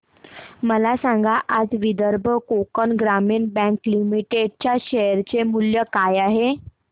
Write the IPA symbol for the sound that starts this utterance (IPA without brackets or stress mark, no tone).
m